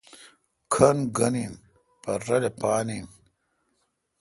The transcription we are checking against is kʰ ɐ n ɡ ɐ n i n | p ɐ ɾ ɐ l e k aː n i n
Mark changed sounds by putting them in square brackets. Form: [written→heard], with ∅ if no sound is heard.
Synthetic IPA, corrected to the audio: kʰ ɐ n ɡ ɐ n i n | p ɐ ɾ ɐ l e [k→p] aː n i n